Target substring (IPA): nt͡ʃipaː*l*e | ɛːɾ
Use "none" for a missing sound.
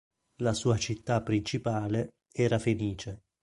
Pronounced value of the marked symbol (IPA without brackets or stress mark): l